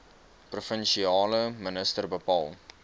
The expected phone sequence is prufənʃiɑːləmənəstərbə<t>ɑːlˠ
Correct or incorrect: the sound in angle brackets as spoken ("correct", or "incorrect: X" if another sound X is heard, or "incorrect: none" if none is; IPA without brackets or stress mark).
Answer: incorrect: p